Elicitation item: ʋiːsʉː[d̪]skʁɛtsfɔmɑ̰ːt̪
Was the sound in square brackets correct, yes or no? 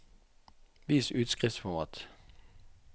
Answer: no